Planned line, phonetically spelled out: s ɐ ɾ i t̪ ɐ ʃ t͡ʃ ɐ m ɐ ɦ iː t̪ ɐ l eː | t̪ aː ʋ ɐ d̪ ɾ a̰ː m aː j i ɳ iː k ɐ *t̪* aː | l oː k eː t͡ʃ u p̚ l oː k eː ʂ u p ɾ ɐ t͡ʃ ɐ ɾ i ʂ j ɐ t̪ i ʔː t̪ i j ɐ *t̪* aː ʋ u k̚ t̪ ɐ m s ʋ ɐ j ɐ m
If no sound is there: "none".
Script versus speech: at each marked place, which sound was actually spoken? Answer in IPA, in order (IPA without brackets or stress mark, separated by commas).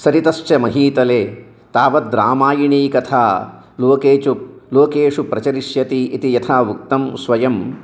t̪ʰ, t̪ʰ